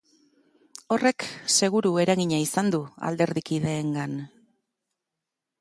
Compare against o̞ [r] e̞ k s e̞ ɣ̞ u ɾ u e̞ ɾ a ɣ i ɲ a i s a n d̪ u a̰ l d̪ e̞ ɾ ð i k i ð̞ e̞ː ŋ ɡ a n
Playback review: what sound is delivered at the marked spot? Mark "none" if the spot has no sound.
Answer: r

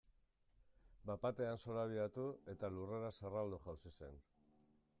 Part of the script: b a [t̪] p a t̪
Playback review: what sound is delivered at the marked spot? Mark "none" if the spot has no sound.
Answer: none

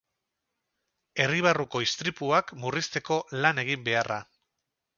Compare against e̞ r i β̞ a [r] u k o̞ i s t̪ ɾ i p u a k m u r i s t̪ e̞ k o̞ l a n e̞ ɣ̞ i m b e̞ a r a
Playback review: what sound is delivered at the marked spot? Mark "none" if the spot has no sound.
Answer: r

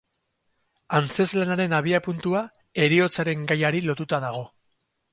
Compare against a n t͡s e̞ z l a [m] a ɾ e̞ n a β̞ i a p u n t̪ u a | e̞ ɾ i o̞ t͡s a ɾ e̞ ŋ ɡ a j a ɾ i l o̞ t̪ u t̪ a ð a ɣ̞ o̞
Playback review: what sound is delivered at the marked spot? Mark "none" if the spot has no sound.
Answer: n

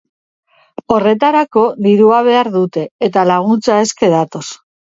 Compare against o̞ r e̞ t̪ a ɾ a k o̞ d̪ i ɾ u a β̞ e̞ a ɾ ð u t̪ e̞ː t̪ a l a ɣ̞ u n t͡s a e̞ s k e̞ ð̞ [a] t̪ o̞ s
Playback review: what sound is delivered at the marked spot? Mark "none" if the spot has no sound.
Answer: a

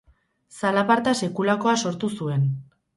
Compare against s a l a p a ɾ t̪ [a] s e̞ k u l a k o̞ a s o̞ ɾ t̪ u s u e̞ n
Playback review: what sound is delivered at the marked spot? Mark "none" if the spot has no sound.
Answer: a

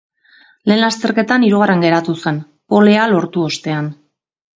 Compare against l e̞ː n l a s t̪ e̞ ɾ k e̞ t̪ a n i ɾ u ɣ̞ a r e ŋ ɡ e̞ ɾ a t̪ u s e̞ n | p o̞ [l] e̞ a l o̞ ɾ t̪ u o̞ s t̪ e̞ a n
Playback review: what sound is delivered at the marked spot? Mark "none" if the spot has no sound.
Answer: l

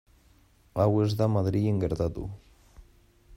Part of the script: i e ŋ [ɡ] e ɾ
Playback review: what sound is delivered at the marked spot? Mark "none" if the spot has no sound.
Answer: ɡ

